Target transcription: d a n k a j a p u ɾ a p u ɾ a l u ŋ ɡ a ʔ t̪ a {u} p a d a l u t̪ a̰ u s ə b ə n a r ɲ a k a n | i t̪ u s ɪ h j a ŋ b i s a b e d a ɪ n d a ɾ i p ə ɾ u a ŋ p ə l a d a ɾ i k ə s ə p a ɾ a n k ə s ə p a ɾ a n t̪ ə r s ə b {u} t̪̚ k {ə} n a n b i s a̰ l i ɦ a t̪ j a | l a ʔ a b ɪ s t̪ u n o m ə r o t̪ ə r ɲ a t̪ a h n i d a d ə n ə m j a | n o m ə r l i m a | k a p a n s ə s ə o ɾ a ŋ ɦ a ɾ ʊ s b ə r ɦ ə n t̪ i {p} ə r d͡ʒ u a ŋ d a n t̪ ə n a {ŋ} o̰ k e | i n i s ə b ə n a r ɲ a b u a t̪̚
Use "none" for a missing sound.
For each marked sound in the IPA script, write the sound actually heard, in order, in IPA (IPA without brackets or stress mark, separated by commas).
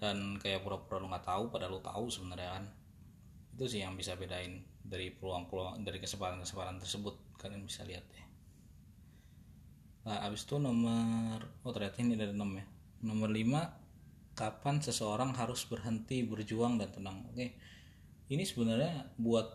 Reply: u, ʊ, a, b, ŋ